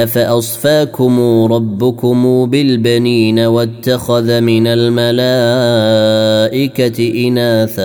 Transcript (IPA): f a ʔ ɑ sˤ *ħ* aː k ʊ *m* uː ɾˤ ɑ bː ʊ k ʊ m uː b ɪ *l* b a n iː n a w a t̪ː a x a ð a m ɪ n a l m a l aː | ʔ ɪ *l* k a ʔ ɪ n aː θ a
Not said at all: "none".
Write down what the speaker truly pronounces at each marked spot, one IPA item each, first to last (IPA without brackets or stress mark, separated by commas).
f, m, l, none